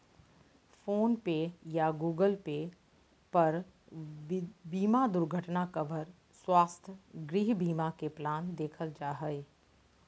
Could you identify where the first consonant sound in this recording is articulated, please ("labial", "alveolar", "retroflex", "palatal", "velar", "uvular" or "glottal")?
labial